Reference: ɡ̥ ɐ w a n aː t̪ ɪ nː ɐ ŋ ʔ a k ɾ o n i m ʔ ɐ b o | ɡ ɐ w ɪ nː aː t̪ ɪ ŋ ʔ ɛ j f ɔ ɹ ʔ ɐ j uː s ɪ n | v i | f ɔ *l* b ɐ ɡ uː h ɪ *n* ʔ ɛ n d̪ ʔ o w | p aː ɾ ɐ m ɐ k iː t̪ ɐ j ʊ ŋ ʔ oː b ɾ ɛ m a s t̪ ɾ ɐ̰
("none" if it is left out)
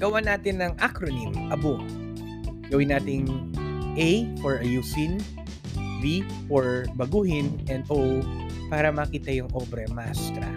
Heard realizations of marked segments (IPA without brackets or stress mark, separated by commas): ɹ, n